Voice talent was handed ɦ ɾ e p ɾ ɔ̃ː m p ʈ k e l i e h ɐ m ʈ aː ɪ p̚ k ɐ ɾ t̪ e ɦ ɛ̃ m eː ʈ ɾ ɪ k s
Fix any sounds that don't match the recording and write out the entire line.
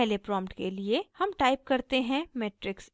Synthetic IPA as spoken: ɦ l e p ɾ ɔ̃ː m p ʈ k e l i e h ɐ m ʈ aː ɪ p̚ k ɐ ɾ t̪ e ɦ ɛ̃ m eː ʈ ɾ ɪ k s

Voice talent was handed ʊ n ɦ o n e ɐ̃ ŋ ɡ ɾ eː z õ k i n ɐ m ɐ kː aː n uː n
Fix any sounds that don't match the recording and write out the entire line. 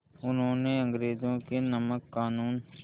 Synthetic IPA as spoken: ʊ n ɦ õ n e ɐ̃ ŋ ɡ ɾ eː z õ k e n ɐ m ə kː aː n uː n

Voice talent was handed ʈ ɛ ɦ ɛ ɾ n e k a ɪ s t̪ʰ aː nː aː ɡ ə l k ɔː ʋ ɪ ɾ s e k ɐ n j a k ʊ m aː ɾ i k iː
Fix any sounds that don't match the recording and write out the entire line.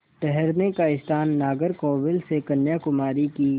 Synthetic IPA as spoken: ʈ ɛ ɦ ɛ ɾ n e k a ɪ s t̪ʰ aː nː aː ɡ ə ɾ k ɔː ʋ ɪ l s e k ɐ n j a k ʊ m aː ɾ i k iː

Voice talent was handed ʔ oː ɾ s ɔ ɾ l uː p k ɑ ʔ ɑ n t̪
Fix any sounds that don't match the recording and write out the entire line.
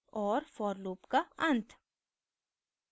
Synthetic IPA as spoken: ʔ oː ɾ f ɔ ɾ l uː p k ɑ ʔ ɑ n t̪

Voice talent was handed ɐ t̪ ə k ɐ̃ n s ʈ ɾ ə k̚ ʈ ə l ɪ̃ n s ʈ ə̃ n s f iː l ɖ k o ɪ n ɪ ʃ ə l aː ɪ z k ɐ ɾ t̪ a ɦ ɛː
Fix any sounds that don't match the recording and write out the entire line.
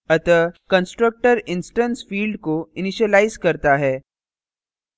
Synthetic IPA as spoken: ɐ t̪ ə k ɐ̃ n s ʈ ɾ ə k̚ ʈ ə ɾ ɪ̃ n s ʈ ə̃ n s f iː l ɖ k o ɪ n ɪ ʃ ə l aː ɪ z k ɐ ɾ t̪ a ɦ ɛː

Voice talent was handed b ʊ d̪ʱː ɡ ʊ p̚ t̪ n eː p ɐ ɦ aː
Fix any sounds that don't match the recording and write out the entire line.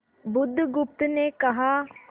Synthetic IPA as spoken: b ʊ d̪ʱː ɡ ʊ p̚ t̪ n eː k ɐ ɦ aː

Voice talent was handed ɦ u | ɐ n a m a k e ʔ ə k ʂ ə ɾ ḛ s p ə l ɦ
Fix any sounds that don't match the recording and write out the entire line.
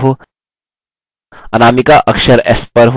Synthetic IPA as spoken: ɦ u | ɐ n a m i k a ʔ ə k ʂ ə ɾ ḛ s p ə ɾ ɦ

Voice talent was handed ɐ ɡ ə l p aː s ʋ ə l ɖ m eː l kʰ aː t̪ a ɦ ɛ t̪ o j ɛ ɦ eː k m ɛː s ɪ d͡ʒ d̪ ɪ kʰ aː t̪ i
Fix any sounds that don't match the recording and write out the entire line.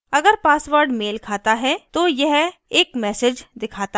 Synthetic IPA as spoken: ɐ ɡ ə ɾ p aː s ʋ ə ɾ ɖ m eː l kʰ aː t̪ a ɦ ɛ t̪ o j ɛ ɦ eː k m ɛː s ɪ d͡ʒ d̪ ɪ kʰ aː t̪ a

